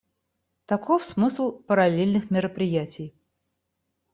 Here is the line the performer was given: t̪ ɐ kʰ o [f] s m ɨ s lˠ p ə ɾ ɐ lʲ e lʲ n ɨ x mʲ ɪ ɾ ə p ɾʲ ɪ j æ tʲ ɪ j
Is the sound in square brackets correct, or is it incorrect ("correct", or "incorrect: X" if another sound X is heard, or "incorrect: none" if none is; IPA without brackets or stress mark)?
correct